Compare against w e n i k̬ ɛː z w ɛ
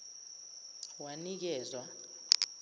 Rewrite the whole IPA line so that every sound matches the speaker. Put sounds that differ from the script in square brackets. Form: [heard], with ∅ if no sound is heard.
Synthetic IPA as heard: w [a] n i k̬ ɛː z w [a]

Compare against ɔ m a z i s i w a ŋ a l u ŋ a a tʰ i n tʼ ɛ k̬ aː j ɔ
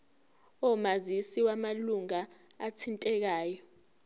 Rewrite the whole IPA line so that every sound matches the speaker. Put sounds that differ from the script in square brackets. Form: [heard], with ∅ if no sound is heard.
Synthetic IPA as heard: ɔ m a z i s i w a [m] a l u ŋ a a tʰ i n tʼ ɛ k̬ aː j ɔ

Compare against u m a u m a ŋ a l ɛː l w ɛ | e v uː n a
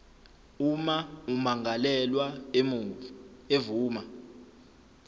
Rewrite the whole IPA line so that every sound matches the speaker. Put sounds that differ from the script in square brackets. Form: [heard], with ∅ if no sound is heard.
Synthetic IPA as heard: u m a u m a ŋ a l [ɛ] l w [a] | e v uː [m] a

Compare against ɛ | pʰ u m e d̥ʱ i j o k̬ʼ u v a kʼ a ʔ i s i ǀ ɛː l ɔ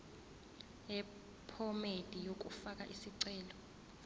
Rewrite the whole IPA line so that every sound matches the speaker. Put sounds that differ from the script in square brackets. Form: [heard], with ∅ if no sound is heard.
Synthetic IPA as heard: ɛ | pʰ [ɔ] m e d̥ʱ i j o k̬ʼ u [f] a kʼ a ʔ i s i ǀ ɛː l ɔ

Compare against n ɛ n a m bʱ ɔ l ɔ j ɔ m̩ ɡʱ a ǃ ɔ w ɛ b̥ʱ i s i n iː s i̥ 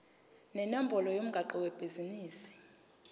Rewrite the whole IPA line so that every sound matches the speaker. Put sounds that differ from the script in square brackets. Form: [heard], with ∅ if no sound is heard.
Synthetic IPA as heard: n ɛ n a m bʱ ɔ l ɔ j [o] m̩ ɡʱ a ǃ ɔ w ɛ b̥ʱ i [z] i n iː s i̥

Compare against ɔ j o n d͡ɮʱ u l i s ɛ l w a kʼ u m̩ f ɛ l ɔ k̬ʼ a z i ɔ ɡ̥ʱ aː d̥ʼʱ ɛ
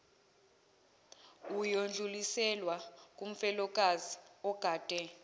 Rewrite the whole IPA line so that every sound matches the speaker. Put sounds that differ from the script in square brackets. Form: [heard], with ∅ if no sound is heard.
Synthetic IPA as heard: [u] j o n d͡ɮʱ u l i s ɛ l w a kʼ u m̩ f ɛ l ɔ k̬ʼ a z i ɔ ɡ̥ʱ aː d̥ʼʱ ɛ

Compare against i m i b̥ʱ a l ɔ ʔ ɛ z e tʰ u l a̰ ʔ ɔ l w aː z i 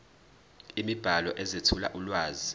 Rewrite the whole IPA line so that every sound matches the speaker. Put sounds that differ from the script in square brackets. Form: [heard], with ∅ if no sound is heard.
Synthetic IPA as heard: i m i b̥ʱ a l ɔ ʔ ɛ z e tʰ u l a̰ ʔ [u] l w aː z i

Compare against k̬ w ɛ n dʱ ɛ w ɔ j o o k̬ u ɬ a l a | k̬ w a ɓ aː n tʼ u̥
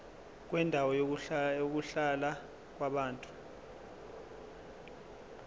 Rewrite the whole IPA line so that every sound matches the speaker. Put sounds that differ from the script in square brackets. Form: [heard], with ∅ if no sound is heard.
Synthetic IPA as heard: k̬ w ɛ n dʱ [a] w ɔ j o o k̬ u ɬ a l a | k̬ w a ɓ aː n tʼ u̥

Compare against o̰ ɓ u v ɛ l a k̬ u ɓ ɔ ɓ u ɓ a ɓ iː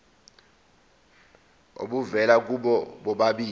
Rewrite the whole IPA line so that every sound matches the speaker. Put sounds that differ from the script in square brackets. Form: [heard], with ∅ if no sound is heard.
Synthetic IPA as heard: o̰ ɓ u v ɛ l a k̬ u ɓ ɔ ɓ [ɔ] ɓ a ɓ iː

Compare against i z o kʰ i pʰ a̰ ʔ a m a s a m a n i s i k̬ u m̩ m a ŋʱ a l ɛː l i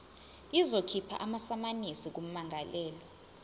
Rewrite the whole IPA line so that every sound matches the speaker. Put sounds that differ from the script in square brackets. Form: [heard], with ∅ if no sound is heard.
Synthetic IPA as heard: i z o kʰ i pʰ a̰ ʔ a m a s a m a n i s i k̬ u m̩ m a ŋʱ a l ɛː l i

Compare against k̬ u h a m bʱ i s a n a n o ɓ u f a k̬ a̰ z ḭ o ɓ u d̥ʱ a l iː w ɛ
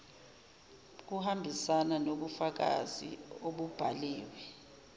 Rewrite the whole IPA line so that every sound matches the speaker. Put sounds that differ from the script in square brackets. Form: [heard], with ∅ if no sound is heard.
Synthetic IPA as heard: k̬ u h a m bʱ i s a n a n o ɓ u f a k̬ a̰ z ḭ o ɓ u [b̥ʱ] a l iː w ɛ

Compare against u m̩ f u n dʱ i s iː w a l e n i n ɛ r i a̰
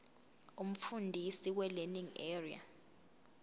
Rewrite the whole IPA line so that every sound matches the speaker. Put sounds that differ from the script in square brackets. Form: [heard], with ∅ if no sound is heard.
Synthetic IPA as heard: u m̩ f u n dʱ i s [i] w [ɛ] l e n i [ŋ] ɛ r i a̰

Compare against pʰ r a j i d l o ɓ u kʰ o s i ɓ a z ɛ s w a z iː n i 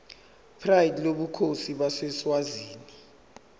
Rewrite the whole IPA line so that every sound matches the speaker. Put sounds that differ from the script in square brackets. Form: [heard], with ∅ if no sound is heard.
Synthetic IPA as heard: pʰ r a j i d l o ɓ u kʰ o s i ɓ a [s] ɛ s w a z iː n i

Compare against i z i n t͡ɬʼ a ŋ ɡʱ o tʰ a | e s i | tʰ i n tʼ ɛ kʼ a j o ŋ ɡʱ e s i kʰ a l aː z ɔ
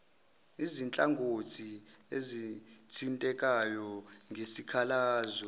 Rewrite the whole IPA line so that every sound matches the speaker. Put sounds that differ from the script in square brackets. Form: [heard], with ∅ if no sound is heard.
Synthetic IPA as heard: i z i n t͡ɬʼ a ŋ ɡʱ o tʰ [i] | e [z] i | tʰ i n tʼ ɛ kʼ a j [ɔ] ŋ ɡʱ e s i kʰ a l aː z ɔ

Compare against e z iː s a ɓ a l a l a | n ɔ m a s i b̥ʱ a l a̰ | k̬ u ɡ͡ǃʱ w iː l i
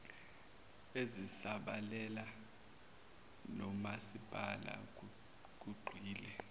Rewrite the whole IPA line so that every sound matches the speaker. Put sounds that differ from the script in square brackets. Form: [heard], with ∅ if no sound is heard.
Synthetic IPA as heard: e z [i] s a ɓ a l [ɛ] l a | n ɔ m a s i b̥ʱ a l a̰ | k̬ u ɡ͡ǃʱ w iː l [ɛ]

